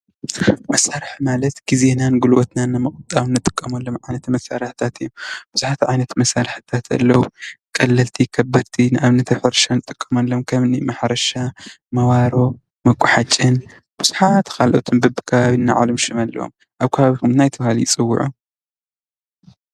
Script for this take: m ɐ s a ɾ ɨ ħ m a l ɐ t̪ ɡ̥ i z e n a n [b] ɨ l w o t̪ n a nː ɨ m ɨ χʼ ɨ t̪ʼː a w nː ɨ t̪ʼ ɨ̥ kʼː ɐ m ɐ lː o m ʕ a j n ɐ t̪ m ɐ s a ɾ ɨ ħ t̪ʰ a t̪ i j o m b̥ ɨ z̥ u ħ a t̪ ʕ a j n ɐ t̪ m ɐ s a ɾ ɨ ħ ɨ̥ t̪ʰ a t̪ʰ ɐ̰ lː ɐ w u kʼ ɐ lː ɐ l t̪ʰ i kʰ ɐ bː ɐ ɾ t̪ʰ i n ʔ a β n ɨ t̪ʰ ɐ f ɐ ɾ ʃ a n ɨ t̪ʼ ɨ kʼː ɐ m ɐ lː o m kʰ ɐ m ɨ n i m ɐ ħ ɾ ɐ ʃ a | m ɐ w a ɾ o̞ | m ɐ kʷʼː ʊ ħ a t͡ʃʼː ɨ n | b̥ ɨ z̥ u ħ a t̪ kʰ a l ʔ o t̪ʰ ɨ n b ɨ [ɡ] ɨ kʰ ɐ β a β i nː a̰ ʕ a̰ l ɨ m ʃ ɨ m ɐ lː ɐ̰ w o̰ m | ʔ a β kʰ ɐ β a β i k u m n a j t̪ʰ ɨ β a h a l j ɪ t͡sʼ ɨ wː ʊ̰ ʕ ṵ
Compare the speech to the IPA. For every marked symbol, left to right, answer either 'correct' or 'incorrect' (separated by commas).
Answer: incorrect, incorrect